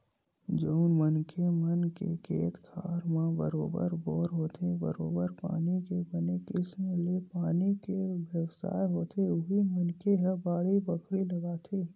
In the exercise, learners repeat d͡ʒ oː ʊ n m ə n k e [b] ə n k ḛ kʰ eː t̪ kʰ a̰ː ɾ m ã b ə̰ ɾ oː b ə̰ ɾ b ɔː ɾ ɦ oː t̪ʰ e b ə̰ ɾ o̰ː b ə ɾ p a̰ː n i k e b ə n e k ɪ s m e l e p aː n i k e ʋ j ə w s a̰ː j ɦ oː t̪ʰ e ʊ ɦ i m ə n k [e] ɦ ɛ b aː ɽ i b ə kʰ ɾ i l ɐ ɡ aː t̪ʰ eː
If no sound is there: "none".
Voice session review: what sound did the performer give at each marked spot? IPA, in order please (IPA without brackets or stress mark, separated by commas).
m, e